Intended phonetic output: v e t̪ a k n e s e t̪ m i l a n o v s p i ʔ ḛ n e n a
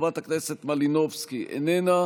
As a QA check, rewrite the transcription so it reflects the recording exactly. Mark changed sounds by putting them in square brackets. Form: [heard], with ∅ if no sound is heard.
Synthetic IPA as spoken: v [a] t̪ a k n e s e t̪ m [a] l [i] n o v s [k] i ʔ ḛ n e n a